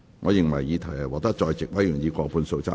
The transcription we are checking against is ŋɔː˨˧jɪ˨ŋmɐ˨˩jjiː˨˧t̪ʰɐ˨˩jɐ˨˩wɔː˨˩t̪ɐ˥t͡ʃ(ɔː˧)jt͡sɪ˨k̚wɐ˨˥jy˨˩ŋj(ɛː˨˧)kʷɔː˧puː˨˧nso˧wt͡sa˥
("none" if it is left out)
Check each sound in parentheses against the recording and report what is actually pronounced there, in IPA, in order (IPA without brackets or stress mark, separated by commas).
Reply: ɔː˧, iː˨˧